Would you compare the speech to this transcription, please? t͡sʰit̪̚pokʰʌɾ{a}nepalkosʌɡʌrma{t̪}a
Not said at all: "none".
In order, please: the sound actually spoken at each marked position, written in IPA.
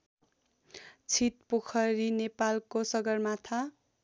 i, t̪ʰ

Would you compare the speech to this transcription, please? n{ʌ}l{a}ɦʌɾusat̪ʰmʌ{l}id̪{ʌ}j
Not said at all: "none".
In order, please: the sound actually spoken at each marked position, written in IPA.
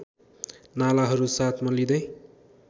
a, a, l, ʌ

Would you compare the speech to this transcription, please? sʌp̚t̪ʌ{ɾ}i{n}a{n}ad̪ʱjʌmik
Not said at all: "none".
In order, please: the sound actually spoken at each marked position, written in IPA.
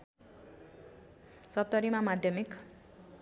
ɾ, m, m

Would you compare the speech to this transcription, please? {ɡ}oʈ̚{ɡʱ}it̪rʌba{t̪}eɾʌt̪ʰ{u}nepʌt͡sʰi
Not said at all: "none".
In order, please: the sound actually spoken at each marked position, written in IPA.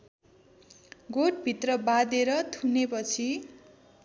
ɡ, bʱ, d̪, u

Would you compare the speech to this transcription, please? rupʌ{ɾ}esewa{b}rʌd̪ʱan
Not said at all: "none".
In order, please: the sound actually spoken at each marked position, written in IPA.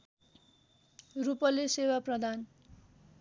l, p

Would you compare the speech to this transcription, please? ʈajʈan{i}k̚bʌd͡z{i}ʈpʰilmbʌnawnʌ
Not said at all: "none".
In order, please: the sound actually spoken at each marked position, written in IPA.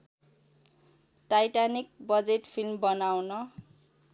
i, e

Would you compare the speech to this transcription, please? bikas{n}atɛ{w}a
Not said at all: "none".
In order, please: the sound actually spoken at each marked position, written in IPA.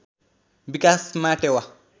m, w

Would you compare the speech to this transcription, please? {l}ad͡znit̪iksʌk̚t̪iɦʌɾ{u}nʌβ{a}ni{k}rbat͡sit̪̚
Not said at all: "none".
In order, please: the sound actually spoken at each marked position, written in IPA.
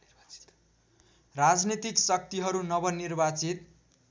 r, u, ʌ, none

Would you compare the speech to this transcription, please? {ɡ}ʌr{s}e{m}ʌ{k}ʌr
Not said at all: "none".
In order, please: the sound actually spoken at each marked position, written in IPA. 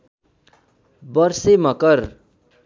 b, s, m, k

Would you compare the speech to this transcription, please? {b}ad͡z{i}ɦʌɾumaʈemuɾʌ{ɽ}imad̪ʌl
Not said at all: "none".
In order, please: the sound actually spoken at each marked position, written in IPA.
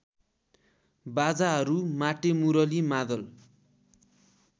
b, a, l

